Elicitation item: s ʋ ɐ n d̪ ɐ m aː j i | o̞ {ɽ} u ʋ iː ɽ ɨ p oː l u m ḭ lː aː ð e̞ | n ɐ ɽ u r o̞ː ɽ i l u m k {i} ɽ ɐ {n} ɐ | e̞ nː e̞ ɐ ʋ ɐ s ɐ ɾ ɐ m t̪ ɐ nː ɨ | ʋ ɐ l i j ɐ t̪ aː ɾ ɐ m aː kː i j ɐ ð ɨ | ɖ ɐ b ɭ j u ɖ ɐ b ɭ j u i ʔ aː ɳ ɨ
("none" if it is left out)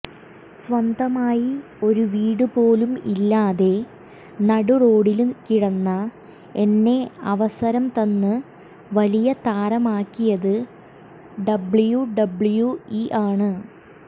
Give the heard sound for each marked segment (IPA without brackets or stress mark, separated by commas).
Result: ɾ, i, nː